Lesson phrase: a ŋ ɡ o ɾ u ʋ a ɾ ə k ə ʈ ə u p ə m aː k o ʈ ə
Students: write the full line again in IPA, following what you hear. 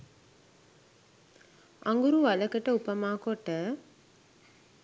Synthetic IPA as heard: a ŋ ɡ u ɾ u ʋ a l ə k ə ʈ ə u p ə m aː k o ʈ ə